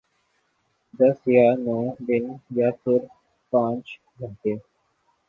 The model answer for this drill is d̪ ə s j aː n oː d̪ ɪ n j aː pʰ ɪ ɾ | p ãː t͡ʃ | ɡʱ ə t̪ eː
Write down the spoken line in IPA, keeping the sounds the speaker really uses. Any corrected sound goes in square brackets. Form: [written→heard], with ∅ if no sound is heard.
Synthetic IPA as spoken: d̪ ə s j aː n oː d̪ ɪ n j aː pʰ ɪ ɾ | p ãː t͡ʃ | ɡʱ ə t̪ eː